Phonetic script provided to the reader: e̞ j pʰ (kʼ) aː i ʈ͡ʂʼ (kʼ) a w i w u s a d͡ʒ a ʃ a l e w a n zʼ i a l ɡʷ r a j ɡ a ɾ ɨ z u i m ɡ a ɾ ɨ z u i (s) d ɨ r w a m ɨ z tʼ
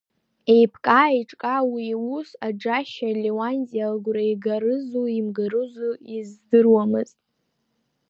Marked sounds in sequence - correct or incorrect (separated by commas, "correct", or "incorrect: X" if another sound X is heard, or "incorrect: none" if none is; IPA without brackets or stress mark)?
correct, correct, incorrect: z